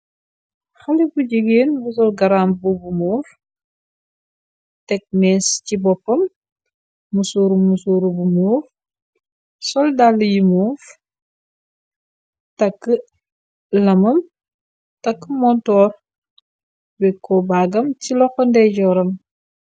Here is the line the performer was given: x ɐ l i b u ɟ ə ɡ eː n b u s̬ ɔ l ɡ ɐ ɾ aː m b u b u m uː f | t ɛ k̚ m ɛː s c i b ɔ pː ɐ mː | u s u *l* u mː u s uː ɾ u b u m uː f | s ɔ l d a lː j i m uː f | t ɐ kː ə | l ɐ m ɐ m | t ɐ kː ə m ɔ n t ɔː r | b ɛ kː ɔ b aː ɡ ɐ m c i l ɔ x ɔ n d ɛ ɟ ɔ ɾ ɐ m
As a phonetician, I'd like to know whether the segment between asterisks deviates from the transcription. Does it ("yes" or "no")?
yes